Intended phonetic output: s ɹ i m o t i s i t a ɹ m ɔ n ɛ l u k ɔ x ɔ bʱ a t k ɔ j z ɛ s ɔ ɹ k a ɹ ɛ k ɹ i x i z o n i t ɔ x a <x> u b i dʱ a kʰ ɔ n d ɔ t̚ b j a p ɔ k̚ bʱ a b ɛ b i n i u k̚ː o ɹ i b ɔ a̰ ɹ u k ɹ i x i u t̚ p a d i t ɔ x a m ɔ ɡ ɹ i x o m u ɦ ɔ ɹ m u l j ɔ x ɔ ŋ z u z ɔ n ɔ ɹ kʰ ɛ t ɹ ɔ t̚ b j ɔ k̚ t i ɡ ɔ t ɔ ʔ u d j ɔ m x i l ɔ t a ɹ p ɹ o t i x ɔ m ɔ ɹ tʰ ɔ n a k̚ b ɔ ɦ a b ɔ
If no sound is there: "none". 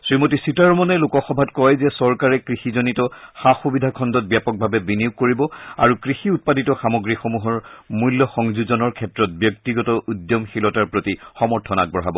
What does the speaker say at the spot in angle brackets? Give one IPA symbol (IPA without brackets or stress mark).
x